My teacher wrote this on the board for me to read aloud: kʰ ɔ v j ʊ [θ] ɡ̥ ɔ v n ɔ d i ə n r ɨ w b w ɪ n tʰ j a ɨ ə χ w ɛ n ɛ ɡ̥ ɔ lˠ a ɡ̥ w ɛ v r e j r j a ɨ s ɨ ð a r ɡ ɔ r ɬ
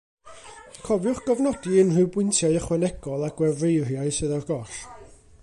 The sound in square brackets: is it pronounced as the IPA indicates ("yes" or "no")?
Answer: no